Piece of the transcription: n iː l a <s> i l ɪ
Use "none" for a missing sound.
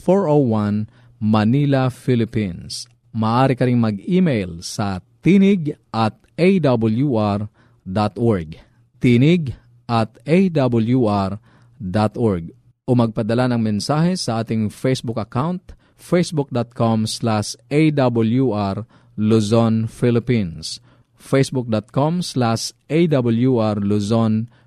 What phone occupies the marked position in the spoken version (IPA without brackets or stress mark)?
f